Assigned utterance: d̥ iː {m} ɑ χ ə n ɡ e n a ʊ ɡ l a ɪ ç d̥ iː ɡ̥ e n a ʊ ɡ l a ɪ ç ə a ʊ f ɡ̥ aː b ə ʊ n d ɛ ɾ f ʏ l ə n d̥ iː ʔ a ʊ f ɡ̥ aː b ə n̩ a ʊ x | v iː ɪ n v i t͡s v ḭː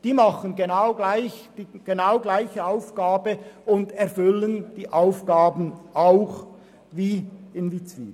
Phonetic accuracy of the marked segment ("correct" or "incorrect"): correct